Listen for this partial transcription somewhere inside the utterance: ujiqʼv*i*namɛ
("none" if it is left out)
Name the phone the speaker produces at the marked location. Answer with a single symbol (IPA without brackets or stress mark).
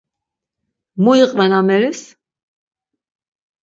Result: ɛ